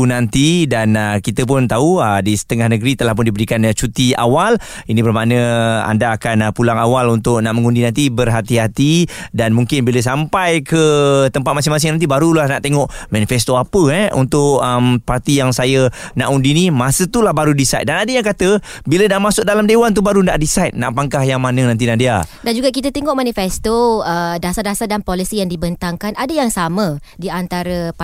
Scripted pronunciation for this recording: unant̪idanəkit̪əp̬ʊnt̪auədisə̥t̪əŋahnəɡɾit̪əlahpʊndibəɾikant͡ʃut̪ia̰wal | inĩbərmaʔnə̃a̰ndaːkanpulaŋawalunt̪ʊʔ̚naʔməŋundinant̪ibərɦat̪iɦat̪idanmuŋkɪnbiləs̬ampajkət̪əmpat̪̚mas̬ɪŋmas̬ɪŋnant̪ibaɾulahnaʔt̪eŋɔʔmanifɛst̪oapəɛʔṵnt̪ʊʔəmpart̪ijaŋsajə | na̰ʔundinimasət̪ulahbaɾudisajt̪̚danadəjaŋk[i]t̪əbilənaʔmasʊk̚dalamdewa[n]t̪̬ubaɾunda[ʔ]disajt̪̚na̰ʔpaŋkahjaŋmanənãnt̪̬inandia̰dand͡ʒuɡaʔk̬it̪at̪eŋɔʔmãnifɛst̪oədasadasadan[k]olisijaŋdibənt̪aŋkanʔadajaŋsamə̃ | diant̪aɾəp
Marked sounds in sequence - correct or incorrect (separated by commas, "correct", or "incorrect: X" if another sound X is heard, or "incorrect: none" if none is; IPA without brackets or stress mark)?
incorrect: a, correct, correct, incorrect: p